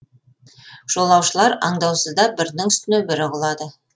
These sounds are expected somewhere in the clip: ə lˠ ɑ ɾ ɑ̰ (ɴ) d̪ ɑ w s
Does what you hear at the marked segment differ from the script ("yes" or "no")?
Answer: no